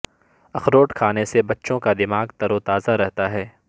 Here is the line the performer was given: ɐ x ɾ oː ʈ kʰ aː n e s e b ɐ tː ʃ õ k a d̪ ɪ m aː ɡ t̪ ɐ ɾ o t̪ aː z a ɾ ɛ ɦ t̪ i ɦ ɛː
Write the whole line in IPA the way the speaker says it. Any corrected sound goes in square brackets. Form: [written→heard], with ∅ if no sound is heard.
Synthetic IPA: ɐ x ɾ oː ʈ kʰ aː n e s e b ɐ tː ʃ õ k a d̪ ɪ m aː ɡ t̪ ɐ ɾ o t̪ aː z a ɾ ɛ ɦ t̪ [i→a] ɦ ɛː